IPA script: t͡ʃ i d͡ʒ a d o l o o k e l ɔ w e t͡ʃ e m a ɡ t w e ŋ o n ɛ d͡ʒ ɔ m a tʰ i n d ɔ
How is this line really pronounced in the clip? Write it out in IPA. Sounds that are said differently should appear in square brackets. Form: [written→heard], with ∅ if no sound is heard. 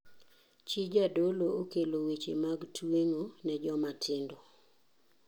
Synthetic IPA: t͡ʃ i d͡ʒ a d o l o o k e l [ɔ→o] w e t͡ʃ e m a ɡ t w e ŋ o n ɛ d͡ʒ ɔ m a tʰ [i→ɪ] n d ɔ

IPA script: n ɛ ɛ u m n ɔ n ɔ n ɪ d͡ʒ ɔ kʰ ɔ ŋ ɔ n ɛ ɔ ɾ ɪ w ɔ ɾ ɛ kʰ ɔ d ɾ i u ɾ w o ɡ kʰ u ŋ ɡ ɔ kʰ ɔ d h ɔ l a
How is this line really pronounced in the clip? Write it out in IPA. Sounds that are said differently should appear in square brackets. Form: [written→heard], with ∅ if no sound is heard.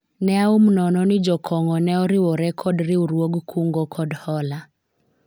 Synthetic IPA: n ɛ [ɛ→a] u m n ɔ n ɔ n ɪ d͡ʒ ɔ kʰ ɔ ŋ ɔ n ɛ ɔ ɾ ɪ w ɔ ɾ ɛ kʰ ɔ d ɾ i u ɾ w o ɡ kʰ u ŋ ɡ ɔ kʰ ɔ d h ɔ l a

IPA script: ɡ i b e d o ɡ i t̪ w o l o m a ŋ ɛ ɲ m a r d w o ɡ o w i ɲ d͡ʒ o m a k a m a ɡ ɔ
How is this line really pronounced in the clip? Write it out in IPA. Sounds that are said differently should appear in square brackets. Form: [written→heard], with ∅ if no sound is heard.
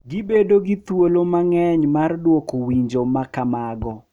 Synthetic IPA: ɡ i b e d o ɡ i t̪ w o l o m a ŋ ɛ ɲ m a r d w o [ɡ→k] o w i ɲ d͡ʒ o m a k a m a ɡ ɔ

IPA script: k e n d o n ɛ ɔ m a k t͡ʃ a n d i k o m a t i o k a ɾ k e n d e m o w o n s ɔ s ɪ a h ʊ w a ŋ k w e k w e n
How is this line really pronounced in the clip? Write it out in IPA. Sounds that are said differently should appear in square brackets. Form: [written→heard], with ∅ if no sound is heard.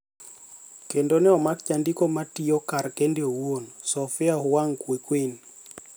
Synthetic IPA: k e n d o n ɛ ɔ m a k t͡ʃ a n d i k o m a t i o k a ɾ k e n d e [m→∅] o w o n s ɔ [s→f] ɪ a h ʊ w a ŋ k w e k w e n

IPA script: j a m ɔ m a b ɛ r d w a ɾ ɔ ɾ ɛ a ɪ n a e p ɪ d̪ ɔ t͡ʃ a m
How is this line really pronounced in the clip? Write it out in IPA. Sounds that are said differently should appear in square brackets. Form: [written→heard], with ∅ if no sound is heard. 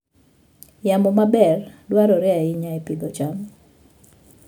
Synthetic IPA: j a m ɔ m a b ɛ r d w a ɾ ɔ ɾ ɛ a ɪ [n→ɲ] a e p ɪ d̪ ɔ t͡ʃ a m

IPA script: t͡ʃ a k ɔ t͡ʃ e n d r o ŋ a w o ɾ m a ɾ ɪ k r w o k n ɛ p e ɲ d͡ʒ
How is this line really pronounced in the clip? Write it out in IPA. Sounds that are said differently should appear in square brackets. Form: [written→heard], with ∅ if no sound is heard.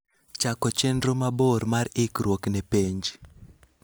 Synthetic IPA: t͡ʃ a k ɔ t͡ʃ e n d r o [ŋ→m] a [w→b] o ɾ m a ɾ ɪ k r w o k n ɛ p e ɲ d͡ʒ

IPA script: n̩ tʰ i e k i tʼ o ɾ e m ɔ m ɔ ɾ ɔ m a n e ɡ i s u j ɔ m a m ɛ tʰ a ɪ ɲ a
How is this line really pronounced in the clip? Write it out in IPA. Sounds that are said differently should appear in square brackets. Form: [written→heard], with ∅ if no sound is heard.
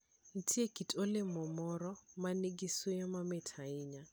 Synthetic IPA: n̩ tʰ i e k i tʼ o [ɾ→l] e m ɔ m ɔ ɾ ɔ m a n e ɡ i s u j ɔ m a m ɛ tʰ a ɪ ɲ a

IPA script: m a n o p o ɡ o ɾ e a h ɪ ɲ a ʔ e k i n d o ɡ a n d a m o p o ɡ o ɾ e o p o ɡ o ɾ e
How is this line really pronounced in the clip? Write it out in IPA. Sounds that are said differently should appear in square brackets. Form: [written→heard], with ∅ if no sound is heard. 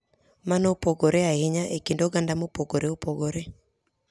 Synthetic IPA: m a n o p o ɡ o ɾ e a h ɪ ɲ a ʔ e k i n d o ɡ a n d a m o p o ɡ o ɾ e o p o ɡ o ɾ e

